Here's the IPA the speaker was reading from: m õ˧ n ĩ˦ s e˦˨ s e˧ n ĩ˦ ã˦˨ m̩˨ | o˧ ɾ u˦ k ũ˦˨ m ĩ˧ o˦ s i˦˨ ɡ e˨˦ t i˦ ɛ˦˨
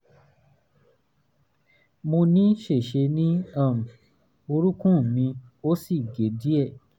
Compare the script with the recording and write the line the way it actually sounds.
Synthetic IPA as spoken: m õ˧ n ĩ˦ ʃ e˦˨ ʃ e˧ n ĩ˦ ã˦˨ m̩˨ | o˧ ɾ u˦ k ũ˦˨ m ĩ˧ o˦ s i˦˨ ɡ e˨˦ d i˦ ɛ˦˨

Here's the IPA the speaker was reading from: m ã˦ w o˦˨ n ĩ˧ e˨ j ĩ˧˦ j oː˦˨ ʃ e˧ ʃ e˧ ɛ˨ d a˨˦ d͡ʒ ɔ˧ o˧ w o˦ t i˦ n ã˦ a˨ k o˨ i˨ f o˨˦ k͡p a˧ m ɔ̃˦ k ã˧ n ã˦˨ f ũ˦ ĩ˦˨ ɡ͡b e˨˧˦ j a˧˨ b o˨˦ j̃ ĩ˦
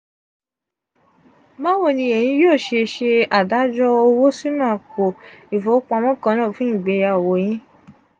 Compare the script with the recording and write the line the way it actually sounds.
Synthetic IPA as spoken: m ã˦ w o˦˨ n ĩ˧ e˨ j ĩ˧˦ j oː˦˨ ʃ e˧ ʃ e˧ a˨ d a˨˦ d͡ʒ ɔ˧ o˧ w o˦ s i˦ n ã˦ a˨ k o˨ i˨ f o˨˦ k͡p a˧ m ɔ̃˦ k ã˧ n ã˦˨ f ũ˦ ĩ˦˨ ɡ͡b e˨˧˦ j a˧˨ w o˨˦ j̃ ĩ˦

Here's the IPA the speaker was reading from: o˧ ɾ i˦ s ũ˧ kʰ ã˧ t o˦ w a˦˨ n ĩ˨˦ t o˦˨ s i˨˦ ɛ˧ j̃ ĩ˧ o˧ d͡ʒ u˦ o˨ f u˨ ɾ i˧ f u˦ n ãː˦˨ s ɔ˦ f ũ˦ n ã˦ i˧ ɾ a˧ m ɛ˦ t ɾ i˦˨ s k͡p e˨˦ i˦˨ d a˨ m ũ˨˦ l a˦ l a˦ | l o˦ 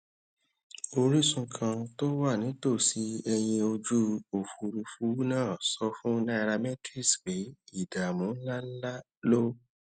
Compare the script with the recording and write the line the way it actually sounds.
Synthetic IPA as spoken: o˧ ɾ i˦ s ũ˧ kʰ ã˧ t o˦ w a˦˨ n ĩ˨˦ t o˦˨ s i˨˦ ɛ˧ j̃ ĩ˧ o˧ d͡ʒ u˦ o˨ f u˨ ɾ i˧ f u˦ n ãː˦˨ s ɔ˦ f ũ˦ n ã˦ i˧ ɾ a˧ m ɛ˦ t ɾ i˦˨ s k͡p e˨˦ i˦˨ d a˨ m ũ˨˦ l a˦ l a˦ | l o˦

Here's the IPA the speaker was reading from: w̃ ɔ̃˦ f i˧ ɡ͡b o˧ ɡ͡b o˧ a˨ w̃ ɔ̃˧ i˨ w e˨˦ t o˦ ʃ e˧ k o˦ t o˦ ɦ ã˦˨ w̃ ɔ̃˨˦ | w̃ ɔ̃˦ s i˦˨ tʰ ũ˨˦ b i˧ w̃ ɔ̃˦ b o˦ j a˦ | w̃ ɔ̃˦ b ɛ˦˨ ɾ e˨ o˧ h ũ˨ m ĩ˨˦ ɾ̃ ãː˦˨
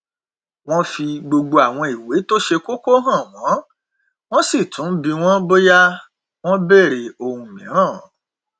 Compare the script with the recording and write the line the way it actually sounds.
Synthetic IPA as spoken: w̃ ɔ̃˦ f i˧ ɡ͡b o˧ ɡ͡b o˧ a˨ w̃ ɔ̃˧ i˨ w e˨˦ t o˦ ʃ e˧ k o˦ k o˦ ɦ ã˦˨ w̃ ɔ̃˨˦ | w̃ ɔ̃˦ s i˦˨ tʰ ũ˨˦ b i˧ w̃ ɔ̃˦ b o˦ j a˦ | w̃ ɔ̃˦ b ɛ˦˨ ɾ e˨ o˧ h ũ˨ m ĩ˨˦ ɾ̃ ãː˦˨

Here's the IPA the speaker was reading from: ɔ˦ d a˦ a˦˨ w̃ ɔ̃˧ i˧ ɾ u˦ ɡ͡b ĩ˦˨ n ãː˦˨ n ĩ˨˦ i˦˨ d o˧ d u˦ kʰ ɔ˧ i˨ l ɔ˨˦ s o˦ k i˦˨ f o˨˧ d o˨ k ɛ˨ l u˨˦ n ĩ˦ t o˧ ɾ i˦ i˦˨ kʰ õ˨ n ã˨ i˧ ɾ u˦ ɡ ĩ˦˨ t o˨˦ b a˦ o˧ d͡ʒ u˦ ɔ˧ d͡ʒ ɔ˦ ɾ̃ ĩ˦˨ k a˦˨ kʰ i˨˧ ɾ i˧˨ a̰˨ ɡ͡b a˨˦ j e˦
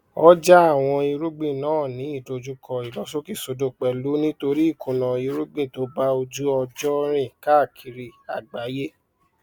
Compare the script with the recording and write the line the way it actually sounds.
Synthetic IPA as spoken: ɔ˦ d͡ʒ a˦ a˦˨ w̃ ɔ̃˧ i˧ ɾ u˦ ɡ͡b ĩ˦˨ n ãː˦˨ n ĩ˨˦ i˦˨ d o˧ d͡ʒ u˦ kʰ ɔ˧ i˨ l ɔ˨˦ s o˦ k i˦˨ s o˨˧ d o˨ k͡p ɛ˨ l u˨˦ n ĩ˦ t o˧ ɾ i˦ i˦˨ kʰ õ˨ n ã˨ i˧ ɾ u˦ ɡ͡b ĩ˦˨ t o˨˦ b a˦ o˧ d͡ʒ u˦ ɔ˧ d͡ʒ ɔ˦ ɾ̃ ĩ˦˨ k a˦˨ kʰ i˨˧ ɾ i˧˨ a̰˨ ɡ͡b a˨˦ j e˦

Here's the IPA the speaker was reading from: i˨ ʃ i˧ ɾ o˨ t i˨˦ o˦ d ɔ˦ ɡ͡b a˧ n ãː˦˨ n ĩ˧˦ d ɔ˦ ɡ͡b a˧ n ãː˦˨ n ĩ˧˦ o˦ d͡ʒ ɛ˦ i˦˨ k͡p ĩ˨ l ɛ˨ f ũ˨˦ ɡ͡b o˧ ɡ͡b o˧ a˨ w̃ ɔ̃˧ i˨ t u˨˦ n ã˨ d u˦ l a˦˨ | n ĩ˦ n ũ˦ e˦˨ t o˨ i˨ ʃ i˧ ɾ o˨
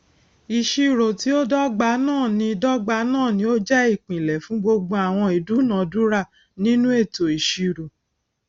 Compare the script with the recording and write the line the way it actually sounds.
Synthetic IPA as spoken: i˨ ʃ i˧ ɾ o˨ t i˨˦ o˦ d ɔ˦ ɡ͡b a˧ n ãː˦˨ n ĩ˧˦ d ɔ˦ ɡ͡b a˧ n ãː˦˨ n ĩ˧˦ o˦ d͡ʒ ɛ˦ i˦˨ k͡p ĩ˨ l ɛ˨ f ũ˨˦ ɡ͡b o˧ ɡ͡b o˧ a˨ w̃ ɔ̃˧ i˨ d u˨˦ n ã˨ d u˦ ɾ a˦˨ | n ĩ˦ n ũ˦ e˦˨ t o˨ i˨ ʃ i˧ ɾ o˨

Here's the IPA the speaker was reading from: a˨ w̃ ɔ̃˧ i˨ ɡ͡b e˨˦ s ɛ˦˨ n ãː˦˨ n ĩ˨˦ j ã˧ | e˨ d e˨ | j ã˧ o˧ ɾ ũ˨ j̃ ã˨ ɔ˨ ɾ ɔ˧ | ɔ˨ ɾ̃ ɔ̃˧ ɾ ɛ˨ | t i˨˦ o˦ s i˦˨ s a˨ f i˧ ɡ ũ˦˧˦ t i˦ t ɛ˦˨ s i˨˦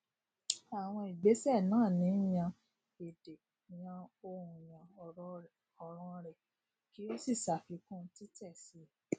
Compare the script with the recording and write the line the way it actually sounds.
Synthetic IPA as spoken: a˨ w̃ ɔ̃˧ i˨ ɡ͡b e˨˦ s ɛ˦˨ n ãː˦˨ n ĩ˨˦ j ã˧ | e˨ d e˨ | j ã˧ o˧ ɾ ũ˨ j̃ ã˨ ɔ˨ ɾ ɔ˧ | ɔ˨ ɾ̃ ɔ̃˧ ɾ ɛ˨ | k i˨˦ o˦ s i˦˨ s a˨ f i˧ k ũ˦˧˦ t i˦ t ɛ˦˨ s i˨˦

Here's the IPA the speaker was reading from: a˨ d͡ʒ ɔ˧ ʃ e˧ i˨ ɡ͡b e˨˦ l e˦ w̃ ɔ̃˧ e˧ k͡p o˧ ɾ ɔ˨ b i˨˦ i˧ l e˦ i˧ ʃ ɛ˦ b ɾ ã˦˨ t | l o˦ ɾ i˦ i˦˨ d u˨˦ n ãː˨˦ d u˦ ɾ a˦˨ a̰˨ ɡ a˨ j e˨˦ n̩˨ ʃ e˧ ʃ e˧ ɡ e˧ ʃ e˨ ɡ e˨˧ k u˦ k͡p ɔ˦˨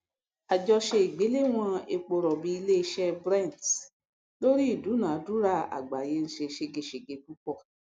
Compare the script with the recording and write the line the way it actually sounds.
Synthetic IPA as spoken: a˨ d͡ʒ ɔ˧ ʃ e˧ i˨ ɡ͡b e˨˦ l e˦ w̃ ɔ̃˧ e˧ k͡p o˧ ɾ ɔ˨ b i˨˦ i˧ l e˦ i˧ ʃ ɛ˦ b ɾ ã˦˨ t | l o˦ ɾ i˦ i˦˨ d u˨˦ n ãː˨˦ d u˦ ɾ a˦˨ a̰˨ ɡ͡b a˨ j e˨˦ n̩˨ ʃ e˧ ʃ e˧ ɡ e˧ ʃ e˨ ɡ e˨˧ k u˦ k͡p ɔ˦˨

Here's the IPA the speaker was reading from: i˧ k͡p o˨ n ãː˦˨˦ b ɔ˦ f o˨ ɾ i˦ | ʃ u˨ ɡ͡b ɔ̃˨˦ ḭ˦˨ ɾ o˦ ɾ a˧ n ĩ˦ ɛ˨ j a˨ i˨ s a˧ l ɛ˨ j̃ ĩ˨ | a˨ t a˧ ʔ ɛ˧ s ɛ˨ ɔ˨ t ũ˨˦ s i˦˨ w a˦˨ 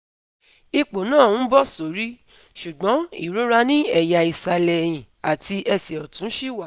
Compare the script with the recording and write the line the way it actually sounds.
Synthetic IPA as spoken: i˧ k͡p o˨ n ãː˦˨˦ b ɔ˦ s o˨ ɾ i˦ | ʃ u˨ ɡ͡b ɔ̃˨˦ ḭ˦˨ ɾ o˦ ɾ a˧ n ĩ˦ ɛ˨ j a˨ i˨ s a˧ l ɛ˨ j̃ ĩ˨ | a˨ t i˧ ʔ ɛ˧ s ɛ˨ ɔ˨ t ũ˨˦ ʃ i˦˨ w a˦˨

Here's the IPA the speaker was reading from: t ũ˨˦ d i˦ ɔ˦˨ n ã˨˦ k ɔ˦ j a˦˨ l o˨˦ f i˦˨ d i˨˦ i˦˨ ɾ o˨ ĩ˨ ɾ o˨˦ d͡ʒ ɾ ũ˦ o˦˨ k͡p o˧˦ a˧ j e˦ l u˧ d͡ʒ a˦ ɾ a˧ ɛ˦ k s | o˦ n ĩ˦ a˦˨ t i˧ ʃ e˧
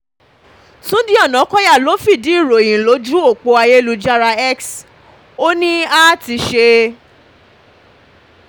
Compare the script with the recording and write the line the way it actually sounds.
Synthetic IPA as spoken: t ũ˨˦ d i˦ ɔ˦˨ n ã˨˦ k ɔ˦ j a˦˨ l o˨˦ f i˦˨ d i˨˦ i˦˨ ɾ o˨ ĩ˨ l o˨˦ d͡ʒ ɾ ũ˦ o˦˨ k͡p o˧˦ a˧ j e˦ l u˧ d͡ʒ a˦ ɾ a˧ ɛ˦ k s | o˦ n ĩ˦ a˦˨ t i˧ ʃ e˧

